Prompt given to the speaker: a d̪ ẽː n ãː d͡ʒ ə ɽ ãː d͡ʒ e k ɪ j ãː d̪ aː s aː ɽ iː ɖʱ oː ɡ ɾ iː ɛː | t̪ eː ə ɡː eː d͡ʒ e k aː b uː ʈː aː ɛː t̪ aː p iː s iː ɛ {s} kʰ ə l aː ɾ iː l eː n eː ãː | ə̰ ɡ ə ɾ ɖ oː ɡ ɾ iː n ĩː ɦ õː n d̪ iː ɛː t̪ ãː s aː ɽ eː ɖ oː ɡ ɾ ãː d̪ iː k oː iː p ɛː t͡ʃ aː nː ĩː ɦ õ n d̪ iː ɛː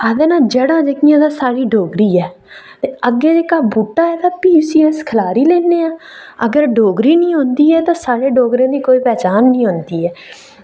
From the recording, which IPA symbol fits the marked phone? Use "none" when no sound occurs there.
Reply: s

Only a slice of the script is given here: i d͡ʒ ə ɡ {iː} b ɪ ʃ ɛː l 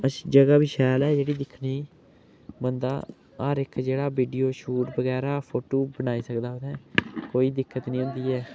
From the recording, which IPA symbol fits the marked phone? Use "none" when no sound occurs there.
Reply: aː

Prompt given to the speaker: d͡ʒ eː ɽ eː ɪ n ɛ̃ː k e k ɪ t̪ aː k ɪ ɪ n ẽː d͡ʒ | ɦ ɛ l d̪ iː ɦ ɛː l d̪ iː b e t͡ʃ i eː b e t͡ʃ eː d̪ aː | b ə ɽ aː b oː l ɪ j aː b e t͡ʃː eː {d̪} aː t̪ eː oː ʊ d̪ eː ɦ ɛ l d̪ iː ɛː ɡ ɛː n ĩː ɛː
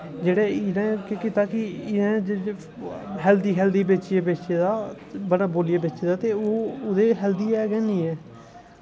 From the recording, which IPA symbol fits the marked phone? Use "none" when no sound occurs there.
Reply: d̪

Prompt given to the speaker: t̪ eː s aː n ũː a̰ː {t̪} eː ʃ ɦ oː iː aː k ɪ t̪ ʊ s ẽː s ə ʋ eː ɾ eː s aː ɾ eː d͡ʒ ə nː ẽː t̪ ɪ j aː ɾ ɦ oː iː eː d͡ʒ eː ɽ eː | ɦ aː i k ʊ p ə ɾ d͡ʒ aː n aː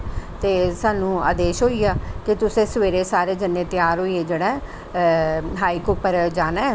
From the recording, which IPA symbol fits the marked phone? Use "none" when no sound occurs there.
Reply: d̪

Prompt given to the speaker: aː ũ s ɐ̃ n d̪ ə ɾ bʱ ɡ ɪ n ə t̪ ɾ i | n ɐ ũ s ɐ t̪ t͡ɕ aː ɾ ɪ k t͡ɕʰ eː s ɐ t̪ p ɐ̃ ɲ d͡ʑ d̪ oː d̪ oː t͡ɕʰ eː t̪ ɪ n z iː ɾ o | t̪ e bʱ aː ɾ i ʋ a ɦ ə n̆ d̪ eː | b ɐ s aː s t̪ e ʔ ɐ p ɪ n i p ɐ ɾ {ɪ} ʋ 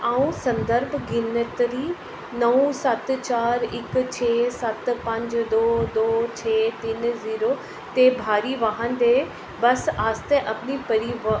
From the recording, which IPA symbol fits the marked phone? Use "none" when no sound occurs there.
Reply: i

